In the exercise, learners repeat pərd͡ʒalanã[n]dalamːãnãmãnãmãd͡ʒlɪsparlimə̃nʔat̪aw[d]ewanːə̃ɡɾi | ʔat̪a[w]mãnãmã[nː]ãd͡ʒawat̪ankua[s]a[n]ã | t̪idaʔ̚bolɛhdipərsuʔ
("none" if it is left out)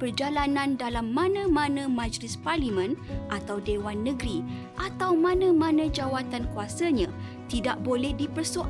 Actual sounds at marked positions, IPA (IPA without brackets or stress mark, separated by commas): n, d, w, n, s, ɲ